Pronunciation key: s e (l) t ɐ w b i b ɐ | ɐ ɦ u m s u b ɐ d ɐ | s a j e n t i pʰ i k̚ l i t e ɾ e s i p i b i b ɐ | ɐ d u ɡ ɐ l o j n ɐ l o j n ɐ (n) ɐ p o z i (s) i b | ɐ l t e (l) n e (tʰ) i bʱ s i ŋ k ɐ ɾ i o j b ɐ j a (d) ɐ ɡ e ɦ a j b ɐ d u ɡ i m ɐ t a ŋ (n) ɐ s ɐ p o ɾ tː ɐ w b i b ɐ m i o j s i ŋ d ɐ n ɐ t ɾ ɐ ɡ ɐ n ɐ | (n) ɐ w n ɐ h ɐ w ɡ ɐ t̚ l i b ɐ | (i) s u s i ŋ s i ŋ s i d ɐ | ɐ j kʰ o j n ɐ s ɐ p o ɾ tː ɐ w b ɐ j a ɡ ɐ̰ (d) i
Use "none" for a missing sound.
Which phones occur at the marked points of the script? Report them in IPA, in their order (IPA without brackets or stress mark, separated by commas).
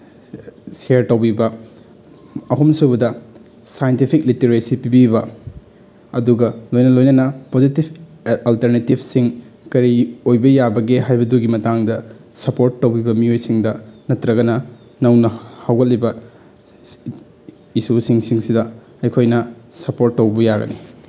ɾ, n, t, ɾ, t, b, d, n, i, n